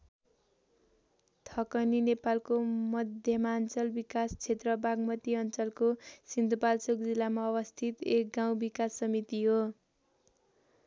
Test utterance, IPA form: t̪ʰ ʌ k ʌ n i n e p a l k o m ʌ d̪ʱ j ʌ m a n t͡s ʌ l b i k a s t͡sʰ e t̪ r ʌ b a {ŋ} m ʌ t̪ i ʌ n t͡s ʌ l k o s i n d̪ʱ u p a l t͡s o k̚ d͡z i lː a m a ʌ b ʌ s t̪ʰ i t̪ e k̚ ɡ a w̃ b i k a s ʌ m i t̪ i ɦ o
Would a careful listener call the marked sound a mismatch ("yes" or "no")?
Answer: yes